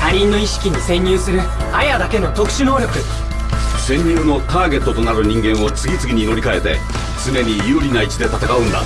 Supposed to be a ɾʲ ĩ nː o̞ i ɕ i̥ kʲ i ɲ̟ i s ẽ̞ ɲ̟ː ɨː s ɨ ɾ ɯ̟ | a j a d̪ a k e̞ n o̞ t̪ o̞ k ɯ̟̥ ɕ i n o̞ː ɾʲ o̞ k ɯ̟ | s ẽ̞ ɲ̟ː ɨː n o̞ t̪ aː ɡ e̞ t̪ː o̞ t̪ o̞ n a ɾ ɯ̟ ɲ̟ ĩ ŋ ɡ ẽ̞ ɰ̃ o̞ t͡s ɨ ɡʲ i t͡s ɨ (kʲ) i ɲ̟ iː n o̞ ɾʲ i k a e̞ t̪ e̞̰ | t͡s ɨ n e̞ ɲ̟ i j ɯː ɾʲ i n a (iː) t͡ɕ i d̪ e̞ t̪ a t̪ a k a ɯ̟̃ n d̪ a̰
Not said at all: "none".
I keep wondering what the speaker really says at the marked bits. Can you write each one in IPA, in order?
ɡʲ, i

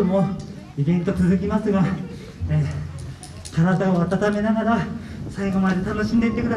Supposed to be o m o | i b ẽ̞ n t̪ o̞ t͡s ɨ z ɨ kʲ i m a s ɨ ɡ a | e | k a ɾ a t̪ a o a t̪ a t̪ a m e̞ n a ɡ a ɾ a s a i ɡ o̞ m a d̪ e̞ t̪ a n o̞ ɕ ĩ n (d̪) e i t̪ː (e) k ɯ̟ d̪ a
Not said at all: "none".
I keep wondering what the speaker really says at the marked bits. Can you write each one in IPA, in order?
d̪, e

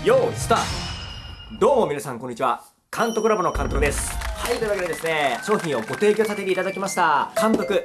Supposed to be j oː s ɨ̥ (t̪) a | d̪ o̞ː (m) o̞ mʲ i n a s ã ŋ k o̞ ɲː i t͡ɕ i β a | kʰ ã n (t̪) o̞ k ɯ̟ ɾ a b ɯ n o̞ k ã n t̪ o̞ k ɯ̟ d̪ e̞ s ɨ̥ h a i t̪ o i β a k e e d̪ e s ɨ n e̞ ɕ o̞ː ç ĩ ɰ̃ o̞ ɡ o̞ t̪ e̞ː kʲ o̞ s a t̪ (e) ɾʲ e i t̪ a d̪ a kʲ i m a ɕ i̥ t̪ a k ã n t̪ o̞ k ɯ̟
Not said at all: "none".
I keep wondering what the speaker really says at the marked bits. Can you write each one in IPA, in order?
t̪, m, t̪, e

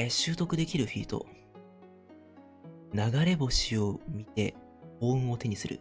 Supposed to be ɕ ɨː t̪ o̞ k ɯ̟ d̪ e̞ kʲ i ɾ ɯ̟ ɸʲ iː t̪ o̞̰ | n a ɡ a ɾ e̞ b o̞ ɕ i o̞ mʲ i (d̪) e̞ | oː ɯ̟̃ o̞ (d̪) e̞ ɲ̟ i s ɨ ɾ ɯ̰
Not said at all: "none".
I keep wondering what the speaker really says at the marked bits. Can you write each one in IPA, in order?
t̪, t̪

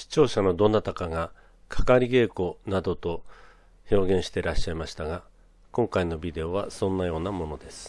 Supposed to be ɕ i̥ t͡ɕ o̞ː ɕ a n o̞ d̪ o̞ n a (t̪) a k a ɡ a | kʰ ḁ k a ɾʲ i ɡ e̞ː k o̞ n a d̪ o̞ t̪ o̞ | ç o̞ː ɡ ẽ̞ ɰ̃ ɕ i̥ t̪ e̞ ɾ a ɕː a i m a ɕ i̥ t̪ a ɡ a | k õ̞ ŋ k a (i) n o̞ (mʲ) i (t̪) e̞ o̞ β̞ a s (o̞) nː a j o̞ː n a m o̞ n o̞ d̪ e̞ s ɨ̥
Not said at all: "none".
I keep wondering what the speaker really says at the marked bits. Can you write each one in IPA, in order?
t̪, i, bʲ, d̪, õ̞

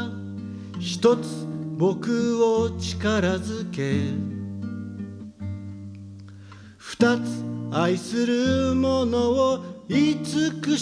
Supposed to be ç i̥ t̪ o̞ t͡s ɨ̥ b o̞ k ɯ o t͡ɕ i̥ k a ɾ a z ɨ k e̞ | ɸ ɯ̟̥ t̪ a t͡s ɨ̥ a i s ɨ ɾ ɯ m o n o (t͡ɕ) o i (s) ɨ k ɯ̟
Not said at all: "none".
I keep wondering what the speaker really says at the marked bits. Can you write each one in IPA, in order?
none, t͡s

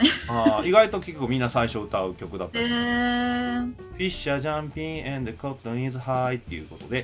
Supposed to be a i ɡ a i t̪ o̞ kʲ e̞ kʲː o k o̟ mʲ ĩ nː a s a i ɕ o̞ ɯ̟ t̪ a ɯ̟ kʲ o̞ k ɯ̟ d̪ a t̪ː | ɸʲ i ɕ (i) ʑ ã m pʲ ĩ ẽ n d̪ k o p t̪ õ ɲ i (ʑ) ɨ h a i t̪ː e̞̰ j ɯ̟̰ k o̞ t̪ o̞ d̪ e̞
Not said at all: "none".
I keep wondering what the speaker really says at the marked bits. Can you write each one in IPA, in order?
a, z

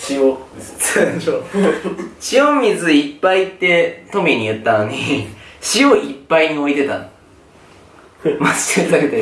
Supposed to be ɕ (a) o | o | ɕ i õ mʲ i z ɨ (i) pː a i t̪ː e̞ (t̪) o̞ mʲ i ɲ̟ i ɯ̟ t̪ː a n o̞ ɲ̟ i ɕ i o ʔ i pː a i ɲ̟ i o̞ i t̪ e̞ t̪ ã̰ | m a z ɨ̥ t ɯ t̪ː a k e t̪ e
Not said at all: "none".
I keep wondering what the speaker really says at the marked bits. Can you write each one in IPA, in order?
i, i, t̪

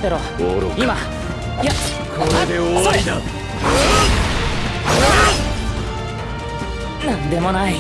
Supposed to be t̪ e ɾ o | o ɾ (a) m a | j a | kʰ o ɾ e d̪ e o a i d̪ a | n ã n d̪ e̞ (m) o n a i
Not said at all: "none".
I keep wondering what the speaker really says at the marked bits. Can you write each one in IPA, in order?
i, m

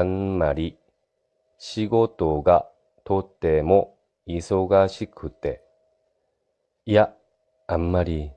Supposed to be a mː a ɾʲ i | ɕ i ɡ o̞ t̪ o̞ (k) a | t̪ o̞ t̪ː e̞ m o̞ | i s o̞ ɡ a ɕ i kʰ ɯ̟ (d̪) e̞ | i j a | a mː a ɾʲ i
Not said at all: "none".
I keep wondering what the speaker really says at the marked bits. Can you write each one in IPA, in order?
ɡ, t̪

